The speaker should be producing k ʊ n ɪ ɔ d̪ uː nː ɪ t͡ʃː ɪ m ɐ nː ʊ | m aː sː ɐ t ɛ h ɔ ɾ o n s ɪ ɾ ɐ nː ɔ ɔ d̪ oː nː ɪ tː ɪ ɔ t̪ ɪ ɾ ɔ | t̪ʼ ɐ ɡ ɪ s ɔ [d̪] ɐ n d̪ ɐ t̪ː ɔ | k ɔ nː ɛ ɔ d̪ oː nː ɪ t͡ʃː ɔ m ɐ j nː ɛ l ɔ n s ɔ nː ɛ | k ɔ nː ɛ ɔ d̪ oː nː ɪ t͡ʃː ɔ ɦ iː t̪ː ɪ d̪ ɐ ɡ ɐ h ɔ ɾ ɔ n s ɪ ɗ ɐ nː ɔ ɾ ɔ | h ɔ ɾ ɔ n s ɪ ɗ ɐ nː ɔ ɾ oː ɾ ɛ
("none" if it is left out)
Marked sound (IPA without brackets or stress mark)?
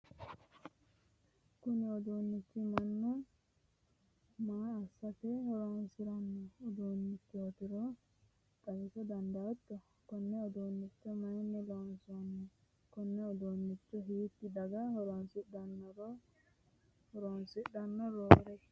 d̪